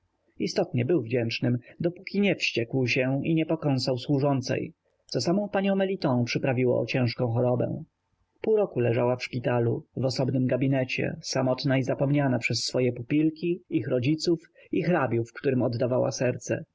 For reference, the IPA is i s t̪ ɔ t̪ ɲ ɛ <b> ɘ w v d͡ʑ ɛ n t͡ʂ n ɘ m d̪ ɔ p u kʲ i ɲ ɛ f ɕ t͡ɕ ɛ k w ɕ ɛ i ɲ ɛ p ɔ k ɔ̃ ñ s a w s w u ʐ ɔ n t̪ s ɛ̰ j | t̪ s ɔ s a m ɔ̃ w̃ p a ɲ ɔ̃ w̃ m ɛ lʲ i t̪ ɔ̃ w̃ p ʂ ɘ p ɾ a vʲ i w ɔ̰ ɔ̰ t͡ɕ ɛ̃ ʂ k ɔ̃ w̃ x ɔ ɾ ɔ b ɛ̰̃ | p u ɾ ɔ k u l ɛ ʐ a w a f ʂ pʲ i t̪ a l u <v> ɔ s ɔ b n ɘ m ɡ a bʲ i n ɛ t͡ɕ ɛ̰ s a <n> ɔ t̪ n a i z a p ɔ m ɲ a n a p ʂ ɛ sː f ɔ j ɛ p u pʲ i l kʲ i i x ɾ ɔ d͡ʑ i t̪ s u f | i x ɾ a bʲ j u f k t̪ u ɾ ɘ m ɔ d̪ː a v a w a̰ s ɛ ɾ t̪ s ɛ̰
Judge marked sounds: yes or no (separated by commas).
yes, yes, no